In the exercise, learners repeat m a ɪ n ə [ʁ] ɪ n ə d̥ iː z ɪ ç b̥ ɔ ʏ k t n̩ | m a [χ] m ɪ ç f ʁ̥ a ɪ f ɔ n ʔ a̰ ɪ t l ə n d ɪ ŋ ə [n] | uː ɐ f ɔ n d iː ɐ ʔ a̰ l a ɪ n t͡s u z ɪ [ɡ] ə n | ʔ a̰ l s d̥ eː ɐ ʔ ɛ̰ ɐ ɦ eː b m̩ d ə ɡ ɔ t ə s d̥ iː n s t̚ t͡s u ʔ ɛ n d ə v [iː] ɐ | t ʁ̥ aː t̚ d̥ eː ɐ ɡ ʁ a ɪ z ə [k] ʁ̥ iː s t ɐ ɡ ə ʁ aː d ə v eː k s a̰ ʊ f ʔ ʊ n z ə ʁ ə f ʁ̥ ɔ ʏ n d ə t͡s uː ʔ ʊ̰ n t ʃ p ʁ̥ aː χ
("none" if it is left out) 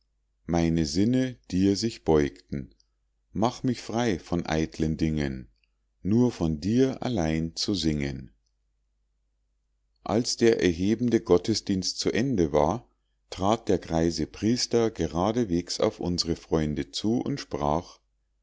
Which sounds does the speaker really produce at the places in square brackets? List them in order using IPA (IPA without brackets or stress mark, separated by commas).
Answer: z, χ, nː, ŋ, aː, p